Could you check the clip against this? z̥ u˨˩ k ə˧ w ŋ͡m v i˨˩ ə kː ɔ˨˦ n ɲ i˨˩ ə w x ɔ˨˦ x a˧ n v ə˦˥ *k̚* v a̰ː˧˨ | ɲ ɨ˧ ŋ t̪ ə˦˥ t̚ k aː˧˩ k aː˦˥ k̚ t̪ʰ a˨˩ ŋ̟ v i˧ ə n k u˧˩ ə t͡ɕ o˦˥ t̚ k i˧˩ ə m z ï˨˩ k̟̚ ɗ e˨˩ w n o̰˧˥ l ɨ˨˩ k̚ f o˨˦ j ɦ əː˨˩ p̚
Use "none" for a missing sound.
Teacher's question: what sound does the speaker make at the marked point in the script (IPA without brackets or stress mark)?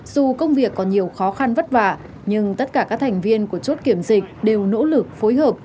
t̚